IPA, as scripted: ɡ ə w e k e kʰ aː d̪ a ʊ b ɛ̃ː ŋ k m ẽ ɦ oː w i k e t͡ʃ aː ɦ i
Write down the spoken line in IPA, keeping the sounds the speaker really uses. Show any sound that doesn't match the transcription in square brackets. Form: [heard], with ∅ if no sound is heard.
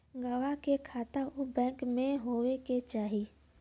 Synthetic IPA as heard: ɡ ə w [a] k e kʰ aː [t̪] a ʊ b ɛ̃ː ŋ k m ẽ ɦ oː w [e] k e t͡ʃ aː ɦ i